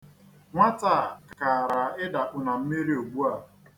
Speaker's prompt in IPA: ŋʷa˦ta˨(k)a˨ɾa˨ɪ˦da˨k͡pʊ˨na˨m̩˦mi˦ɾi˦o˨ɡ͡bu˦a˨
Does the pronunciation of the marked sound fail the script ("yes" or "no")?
no